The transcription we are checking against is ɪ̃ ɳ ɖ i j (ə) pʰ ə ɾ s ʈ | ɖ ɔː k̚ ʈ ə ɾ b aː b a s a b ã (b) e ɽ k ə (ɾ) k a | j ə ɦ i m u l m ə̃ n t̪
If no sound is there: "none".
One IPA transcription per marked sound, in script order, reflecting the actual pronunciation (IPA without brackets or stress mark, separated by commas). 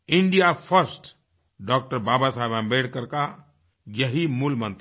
a, b, ɾ